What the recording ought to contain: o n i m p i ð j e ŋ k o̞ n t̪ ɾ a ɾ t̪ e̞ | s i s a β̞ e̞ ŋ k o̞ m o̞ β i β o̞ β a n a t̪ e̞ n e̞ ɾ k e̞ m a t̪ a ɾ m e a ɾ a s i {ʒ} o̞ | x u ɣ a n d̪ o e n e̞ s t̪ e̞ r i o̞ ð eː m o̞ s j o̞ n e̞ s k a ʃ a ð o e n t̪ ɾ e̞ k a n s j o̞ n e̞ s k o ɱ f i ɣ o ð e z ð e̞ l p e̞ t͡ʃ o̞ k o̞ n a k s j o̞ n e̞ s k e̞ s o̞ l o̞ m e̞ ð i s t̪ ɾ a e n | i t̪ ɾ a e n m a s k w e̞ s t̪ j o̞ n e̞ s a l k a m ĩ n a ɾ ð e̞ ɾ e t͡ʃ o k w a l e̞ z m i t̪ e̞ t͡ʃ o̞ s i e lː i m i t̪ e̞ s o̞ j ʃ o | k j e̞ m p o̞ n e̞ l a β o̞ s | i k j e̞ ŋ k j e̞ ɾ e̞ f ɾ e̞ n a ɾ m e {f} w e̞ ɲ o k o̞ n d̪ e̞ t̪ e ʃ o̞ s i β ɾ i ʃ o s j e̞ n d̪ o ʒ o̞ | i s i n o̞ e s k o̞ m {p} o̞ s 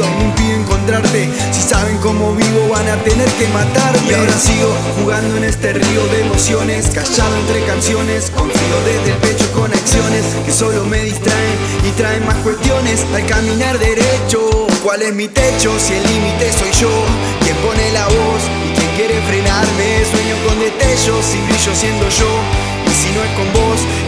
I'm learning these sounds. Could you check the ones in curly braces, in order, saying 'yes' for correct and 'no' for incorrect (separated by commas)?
no, no, no